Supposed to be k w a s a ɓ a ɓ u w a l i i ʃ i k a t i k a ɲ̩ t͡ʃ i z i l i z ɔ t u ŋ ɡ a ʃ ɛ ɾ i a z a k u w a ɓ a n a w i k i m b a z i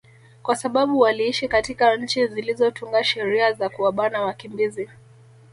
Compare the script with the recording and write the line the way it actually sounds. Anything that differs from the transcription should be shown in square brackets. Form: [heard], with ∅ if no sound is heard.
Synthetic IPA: k w a s a ɓ a ɓ u w a l i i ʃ i k a t i k a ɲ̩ t͡ʃ i z i l i z ɔ t u ŋ ɡ a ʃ ɛ ɾ i a z a k u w a ɓ a n a w [a] k i m b [i] z i